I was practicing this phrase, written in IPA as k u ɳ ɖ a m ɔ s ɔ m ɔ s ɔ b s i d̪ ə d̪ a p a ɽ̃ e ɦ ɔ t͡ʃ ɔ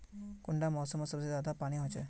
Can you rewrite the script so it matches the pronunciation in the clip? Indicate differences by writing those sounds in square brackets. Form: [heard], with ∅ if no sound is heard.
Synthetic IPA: k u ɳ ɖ a m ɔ s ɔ m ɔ s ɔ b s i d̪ [a] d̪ a p a ɽ̃ [i] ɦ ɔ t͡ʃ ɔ